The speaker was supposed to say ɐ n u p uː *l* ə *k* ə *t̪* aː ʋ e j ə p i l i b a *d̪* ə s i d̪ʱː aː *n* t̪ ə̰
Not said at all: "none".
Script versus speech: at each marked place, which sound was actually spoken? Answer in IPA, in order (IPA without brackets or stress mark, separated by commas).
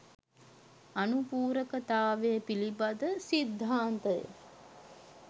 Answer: ɾ, k, t̪, d̪, n